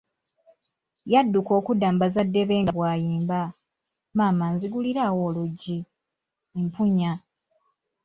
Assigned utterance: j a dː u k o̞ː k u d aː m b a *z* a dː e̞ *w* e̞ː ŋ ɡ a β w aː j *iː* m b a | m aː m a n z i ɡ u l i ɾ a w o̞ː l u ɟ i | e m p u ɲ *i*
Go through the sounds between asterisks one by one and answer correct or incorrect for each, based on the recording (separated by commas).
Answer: correct, incorrect, correct, incorrect